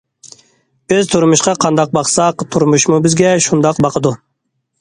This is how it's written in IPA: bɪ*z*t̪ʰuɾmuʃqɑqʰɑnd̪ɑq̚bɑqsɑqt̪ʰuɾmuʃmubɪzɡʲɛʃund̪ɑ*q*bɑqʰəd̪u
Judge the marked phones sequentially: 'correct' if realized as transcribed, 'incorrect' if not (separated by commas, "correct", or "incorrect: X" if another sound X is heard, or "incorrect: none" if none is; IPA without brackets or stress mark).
correct, correct